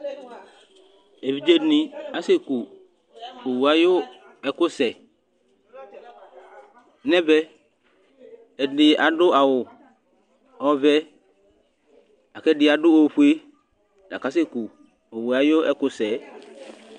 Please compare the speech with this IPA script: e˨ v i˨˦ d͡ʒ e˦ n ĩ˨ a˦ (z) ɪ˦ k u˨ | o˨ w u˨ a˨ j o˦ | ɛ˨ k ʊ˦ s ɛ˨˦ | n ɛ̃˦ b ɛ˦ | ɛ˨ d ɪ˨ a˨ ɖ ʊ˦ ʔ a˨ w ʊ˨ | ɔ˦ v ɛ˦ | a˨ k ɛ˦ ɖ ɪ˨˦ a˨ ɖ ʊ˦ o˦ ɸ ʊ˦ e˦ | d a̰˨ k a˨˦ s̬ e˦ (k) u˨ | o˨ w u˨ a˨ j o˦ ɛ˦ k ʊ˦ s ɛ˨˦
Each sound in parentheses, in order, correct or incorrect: incorrect: s, correct

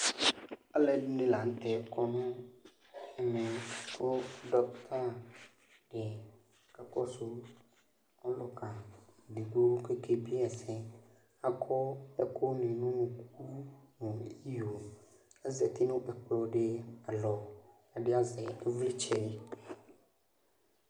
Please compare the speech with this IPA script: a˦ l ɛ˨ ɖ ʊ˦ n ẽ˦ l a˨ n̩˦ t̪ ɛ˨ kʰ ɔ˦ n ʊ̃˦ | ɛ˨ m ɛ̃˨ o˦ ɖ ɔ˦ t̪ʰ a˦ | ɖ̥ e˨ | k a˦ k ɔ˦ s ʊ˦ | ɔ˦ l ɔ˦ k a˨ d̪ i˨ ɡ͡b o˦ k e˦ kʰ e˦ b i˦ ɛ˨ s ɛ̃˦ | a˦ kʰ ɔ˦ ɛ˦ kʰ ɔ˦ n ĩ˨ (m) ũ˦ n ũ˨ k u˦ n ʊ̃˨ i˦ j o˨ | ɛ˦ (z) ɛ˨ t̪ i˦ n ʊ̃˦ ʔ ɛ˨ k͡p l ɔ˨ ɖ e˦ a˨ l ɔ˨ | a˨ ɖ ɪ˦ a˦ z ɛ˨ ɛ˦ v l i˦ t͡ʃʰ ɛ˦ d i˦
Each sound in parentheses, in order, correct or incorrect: incorrect: n, correct

